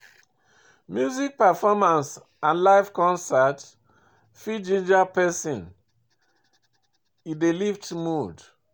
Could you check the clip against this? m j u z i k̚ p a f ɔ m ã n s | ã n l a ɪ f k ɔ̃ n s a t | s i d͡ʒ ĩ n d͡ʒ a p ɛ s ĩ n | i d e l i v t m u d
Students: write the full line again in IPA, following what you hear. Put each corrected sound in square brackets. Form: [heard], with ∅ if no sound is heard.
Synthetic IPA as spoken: m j u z i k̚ p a f ɔ m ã n s | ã n l a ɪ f k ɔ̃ n s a t | [f] i d͡ʒ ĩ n d͡ʒ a p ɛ s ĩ n | i d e l i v t m u d